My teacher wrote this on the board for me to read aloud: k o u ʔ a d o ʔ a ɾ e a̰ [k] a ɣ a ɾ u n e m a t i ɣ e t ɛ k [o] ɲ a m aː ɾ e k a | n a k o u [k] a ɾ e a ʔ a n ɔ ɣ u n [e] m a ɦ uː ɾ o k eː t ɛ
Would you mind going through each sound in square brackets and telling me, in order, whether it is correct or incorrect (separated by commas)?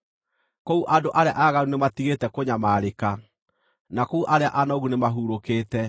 incorrect, correct, incorrect, correct